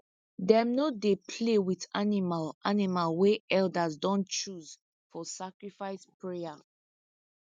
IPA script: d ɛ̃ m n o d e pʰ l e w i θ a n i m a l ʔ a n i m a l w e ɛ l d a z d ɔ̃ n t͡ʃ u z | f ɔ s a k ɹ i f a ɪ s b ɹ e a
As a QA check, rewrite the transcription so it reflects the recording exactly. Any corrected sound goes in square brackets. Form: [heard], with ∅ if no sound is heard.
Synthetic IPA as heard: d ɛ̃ m n o d e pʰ l e w i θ a n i m a l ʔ a n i m a l w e ɛ l d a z d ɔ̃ n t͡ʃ u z | f ɔ s a k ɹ i f a ɪ s [p] ɹ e a